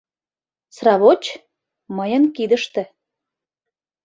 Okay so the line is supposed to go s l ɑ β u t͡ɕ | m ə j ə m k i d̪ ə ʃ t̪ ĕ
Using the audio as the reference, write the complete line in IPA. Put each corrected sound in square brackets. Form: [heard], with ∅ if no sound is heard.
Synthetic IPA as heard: s [r] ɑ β [o] t͡ɕ | m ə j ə [n] k i d̪ ə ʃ t̪ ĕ